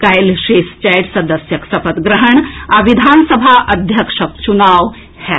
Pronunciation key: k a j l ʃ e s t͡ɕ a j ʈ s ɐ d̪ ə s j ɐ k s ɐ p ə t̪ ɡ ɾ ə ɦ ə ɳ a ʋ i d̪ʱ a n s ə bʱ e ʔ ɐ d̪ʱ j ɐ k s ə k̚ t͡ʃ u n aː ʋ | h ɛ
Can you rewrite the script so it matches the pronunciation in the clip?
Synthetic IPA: k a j l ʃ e s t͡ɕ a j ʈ s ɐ d̪ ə s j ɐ k s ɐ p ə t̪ ɡ ɾ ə ɦ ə ɳ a ʋ i d̪ʱ a n s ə bʱ a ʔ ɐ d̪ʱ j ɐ k ʂ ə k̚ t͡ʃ u n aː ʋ | h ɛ